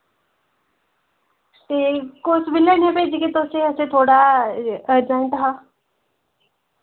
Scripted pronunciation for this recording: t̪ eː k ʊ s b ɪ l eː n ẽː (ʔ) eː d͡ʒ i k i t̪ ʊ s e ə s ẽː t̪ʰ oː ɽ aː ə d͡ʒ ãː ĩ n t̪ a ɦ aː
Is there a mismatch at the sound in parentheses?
yes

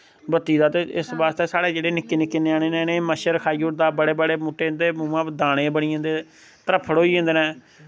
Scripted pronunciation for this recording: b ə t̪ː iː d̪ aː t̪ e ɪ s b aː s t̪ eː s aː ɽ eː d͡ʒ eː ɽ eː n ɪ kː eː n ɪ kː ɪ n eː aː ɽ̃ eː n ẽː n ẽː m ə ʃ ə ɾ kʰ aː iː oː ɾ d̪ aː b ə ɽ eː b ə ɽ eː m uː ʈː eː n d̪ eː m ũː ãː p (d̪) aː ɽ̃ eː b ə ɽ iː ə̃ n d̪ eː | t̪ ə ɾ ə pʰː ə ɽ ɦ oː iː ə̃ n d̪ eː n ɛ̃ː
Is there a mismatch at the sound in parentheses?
no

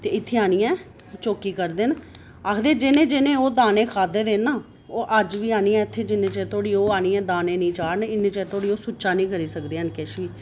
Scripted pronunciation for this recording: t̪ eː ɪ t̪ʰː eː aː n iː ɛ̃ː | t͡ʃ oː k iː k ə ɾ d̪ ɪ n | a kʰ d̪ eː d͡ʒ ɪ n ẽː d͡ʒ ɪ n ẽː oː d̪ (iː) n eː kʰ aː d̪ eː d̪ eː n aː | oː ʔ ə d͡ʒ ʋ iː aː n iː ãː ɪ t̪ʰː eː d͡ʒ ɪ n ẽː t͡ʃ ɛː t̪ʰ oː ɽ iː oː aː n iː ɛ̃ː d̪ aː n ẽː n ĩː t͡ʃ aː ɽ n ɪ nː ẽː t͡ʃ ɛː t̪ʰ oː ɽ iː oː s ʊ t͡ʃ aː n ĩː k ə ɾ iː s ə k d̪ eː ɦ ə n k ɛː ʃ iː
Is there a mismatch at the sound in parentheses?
yes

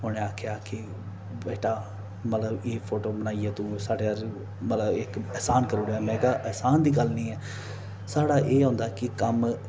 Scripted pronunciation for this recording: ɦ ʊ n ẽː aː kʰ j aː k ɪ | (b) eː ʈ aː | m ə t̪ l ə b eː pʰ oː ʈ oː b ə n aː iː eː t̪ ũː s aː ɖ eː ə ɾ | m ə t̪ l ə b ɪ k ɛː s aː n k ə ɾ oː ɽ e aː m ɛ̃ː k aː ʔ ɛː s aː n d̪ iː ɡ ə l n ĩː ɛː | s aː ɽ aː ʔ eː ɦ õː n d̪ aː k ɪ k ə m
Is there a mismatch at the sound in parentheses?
no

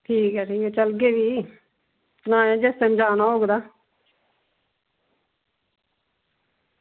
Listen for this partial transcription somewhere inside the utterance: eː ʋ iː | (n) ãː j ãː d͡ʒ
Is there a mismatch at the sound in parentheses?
no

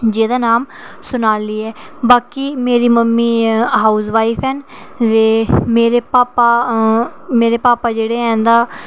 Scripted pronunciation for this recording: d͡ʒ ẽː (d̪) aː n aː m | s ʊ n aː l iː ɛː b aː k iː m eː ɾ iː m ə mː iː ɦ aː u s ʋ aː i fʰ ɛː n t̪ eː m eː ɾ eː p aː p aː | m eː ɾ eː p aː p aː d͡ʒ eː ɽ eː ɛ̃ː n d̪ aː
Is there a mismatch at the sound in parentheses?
no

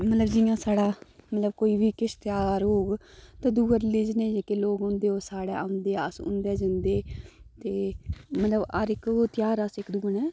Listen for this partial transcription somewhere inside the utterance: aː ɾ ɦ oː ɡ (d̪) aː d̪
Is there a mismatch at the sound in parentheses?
yes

